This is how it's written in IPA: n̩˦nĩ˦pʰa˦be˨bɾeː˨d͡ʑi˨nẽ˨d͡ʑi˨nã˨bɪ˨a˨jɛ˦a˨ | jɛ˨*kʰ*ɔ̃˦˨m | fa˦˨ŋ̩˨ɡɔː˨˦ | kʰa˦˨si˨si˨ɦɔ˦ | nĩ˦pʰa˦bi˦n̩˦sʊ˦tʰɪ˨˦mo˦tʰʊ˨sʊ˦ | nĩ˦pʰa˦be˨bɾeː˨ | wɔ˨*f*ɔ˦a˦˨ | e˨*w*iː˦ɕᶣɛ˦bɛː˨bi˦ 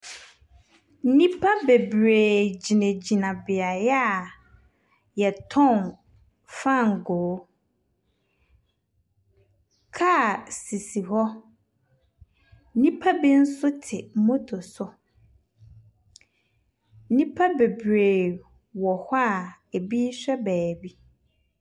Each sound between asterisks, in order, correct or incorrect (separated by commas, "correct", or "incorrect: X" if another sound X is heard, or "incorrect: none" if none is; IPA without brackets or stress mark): incorrect: tʰ, incorrect: h, incorrect: b